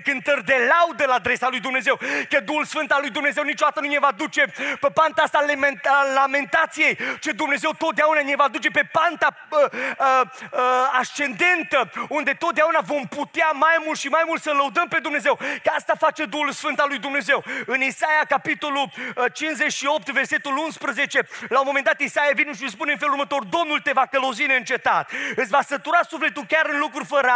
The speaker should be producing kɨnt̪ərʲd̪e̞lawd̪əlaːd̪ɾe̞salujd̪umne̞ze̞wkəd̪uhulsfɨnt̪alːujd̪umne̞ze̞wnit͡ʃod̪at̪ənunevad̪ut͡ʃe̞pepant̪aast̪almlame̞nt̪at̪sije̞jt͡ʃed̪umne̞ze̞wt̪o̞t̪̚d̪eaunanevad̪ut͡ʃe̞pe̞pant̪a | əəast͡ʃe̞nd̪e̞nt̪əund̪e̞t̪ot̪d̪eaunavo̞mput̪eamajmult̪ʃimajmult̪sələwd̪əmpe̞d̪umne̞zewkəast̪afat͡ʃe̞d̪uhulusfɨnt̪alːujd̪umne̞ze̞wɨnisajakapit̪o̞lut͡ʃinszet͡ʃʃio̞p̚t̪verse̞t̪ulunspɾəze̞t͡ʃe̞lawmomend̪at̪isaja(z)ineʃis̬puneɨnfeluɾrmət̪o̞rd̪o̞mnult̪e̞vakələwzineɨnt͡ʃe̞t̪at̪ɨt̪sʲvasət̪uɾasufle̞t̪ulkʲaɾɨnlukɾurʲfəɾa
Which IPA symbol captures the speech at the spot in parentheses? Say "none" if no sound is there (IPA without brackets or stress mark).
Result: v